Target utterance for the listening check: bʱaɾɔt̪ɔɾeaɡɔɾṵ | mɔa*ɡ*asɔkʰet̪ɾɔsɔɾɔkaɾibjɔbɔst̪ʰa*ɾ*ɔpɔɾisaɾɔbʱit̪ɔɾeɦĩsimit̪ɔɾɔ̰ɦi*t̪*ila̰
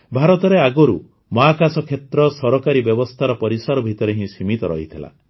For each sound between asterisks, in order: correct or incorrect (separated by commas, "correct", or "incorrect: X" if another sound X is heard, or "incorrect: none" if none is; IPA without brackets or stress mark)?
incorrect: k, correct, incorrect: t̪ʰ